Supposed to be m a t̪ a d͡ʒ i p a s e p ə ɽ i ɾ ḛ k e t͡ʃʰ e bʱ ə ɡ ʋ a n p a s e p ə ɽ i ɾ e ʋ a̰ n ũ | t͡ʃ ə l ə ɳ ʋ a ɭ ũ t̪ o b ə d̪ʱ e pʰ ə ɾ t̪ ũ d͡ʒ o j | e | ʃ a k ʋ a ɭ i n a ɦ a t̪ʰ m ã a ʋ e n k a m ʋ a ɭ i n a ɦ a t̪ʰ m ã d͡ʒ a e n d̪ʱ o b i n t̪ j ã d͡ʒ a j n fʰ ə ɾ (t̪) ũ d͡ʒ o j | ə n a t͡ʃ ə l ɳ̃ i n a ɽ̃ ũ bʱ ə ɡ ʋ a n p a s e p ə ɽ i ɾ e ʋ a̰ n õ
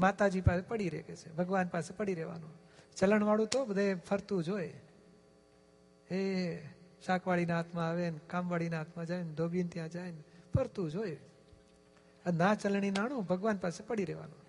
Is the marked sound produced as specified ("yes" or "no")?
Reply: yes